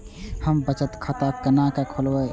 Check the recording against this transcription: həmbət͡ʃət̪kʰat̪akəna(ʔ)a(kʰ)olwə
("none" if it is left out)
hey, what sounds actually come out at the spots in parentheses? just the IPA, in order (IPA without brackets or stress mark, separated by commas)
k, kʰ